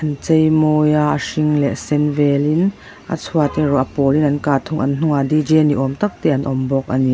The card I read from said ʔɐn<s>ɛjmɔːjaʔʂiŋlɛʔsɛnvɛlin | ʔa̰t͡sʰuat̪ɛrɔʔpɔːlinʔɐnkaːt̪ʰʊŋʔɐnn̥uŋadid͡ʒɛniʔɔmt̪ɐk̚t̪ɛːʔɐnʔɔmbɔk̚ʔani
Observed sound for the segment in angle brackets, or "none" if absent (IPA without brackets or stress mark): t͡s